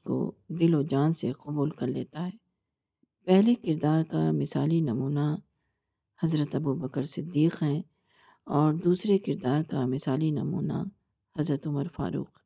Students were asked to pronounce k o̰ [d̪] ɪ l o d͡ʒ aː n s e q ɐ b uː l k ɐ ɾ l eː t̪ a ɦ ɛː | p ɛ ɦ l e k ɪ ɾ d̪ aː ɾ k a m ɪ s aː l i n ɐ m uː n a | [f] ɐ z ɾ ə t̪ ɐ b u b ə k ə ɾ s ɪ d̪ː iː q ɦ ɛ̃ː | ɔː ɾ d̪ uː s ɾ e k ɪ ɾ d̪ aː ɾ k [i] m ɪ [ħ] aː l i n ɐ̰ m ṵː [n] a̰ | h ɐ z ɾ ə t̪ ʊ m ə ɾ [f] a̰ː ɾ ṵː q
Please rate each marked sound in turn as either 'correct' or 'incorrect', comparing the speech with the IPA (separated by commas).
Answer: correct, incorrect, incorrect, incorrect, correct, correct